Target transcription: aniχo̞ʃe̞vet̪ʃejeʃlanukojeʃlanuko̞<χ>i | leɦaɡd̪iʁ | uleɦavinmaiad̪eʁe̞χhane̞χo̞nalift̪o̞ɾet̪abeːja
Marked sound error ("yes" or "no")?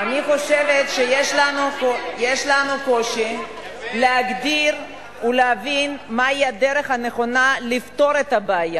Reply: yes